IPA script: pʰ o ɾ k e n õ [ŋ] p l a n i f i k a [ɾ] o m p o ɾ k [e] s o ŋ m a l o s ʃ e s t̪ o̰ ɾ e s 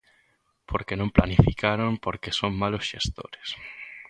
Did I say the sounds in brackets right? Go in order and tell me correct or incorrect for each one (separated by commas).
incorrect, correct, correct